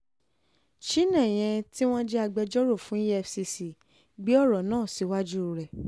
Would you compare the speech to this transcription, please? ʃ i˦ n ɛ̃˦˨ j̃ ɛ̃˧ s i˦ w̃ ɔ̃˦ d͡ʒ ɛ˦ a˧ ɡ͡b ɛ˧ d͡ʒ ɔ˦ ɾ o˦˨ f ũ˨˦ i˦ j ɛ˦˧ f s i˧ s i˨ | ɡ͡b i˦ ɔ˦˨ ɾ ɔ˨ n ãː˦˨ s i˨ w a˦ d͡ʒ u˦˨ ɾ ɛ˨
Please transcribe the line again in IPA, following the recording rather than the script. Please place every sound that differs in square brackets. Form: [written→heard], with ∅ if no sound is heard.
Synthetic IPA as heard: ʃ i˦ n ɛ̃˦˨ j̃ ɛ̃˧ [s→t] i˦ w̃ ɔ̃˦ d͡ʒ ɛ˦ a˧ ɡ͡b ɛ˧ d͡ʒ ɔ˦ ɾ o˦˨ f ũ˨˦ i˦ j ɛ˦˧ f s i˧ s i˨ | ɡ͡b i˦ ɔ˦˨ ɾ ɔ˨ n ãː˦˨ s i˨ w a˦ d͡ʒ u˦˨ ɾ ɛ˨